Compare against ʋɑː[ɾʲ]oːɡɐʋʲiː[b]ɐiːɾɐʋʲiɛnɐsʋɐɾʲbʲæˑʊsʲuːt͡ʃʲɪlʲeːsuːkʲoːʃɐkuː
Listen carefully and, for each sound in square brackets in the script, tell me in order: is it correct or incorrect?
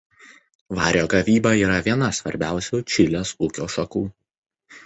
correct, correct

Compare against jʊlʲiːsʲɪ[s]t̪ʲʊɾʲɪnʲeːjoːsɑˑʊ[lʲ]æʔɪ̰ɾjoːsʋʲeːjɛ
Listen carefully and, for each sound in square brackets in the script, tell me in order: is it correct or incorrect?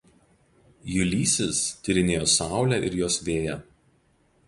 correct, correct

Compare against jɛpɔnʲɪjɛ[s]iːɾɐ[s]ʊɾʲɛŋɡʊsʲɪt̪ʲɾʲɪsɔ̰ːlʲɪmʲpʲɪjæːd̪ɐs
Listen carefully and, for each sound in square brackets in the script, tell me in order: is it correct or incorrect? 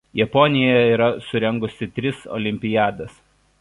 incorrect: none, correct

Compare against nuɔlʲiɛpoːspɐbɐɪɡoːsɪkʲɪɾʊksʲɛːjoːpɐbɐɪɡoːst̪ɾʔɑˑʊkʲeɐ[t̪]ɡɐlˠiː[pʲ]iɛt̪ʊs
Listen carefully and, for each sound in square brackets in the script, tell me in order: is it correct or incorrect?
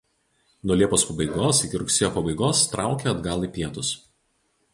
incorrect: d̪, correct

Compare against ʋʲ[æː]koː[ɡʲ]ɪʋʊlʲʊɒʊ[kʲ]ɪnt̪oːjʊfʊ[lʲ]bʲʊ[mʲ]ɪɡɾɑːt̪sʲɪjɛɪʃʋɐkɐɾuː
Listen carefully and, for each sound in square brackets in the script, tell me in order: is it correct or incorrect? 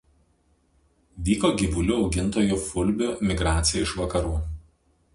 incorrect: iː, correct, incorrect: ɡʲ, correct, correct

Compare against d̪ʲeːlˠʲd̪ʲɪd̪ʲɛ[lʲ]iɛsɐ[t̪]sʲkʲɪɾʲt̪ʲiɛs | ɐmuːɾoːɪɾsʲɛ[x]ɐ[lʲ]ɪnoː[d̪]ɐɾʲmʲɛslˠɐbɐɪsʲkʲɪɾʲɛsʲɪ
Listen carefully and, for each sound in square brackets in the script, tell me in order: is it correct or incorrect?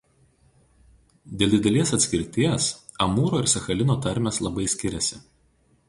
correct, correct, correct, correct, incorrect: t̪

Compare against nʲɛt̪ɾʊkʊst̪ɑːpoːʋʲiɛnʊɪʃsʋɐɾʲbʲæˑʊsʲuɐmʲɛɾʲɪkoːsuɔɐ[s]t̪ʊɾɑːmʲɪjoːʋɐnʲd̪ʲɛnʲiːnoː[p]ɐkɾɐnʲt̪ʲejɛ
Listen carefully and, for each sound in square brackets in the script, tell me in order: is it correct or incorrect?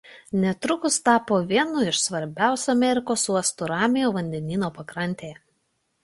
correct, correct

